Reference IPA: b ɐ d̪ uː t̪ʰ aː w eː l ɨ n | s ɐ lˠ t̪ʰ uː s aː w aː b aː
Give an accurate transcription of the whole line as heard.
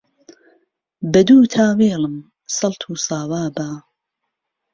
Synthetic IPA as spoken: b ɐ d̪ uː t̪ʰ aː w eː l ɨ m | s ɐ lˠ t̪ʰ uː s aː w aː b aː